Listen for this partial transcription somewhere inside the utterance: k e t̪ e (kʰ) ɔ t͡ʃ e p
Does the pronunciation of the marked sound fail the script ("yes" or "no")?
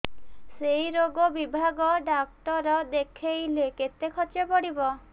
no